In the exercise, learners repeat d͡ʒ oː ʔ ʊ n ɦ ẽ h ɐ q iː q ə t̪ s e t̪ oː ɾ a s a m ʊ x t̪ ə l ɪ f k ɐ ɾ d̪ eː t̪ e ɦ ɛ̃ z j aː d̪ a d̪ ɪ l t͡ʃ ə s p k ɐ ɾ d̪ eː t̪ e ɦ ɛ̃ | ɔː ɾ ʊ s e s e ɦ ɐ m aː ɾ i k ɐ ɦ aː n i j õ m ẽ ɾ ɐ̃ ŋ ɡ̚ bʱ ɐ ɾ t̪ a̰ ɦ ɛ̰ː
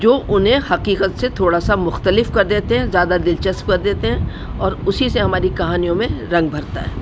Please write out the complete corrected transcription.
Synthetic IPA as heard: d͡ʒ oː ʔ ʊ n ɦ ẽ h ɐ q iː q ə t̪ s e t̪ʰ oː ɽ a s a m ʊ x t̪ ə l ɪ f k ɐ ɾ d̪ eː t̪ e ɦ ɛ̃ z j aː d̪ a d̪ ɪ l t͡ʃ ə s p k ɐ ɾ d̪ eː t̪ e ɦ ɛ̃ | ɔː ɾ ʊ s i s e ɦ ɐ m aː ɾ i k ɐ ɦ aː n i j õ m ẽ ɾ ɐ̃ ŋ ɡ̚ bʱ ɐ ɾ t̪ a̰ ɦ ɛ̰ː